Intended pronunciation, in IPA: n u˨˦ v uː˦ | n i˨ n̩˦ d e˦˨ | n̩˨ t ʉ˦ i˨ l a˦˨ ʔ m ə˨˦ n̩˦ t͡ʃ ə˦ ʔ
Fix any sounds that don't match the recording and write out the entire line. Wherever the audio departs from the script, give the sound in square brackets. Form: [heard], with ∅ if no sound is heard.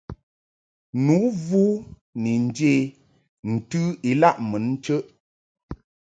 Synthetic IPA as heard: n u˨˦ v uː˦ | n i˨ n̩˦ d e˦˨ | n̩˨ t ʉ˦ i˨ l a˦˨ ʔ m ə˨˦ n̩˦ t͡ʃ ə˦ ʔ